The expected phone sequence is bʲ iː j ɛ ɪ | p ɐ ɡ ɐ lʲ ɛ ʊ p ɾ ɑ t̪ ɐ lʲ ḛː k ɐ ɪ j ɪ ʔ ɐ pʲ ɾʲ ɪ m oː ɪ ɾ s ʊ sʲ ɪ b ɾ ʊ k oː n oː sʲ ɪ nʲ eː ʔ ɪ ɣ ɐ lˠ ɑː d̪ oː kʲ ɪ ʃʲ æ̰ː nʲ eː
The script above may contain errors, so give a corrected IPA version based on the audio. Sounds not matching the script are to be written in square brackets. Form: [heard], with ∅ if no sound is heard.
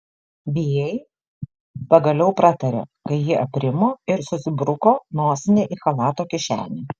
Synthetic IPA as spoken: bʲ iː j ɛ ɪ | p ɐ ɡ ɐ lʲ ɛ ʊ p ɾ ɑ t̪ ɐ [ɾʲ] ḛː k ɐ ɪ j ɪ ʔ ɐ pʲ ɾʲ ɪ m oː ɪ ɾ s ʊ sʲ ɪ b ɾ ʊ k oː n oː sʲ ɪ nʲ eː ʔ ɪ [x] ɐ lˠ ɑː [t̪] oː kʲ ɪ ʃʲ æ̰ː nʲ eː